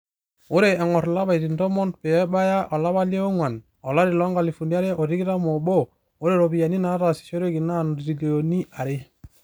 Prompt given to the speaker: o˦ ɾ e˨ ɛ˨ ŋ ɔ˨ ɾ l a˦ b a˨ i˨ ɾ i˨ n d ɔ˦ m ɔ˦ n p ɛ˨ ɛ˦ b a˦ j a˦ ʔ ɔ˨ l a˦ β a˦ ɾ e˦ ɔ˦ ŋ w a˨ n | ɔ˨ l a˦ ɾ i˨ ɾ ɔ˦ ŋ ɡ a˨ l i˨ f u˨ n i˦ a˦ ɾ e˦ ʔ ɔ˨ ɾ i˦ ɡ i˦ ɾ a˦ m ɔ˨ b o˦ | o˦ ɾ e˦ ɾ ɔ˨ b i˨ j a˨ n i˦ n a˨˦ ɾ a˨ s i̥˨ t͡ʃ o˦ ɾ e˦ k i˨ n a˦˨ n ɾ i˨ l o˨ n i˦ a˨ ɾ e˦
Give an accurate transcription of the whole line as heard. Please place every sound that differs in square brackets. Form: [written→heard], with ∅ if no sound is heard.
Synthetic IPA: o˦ ɾ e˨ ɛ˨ ŋ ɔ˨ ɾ l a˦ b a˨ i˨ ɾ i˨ n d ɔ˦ m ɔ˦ n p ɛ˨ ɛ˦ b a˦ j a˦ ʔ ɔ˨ l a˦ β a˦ [ɾ→l] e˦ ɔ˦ ŋ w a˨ n | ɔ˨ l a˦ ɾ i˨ [ɾ→l] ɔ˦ ŋ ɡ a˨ l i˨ f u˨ n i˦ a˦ ɾ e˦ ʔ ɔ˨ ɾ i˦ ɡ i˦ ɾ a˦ m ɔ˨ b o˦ | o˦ ɾ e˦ ɾ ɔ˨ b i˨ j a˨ n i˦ n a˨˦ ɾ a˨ s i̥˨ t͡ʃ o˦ ɾ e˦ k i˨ n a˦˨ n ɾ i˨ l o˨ n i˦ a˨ ɾ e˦